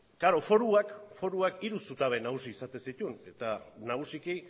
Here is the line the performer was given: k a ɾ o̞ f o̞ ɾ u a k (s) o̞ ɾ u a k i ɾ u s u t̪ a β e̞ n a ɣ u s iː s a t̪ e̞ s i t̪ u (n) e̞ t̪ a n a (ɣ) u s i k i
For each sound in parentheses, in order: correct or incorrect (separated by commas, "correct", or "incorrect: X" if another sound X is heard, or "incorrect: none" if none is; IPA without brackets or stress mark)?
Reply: incorrect: f, correct, correct